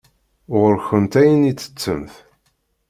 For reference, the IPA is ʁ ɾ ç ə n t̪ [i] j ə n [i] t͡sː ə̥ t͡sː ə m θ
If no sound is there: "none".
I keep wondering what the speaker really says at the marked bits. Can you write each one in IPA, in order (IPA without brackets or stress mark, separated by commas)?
æ, i